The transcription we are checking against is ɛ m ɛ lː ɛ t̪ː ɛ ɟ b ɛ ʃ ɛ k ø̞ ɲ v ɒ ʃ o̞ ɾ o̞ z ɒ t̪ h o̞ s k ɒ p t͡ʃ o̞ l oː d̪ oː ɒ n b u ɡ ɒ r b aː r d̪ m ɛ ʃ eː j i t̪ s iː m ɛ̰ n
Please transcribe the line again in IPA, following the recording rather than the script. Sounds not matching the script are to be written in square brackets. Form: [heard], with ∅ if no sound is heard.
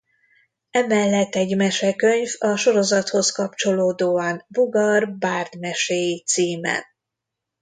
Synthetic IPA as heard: ɛ m ɛ lː ɛ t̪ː ɛ ɟ [m] ɛ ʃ ɛ k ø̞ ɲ v ɒ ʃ o̞ ɾ o̞ z ɒ t̪ h o̞ s k ɒ p t͡ʃ o̞ l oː d̪ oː ɒ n b u ɡ ɒ r b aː r d̪ m ɛ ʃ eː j i t̪ s iː m ɛ̰ n